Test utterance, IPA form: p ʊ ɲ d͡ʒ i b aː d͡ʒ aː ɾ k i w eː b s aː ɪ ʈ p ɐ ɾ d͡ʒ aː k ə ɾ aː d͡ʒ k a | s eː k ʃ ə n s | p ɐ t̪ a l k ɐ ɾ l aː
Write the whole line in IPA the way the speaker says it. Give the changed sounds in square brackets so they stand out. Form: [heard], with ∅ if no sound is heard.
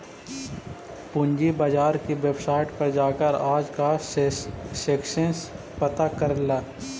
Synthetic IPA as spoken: p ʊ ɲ d͡ʒ i b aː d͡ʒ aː ɾ k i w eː b s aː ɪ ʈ p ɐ ɾ d͡ʒ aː k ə ɾ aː d͡ʒ k a | s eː k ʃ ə n s | p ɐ t̪ a [∅] k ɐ ɾ l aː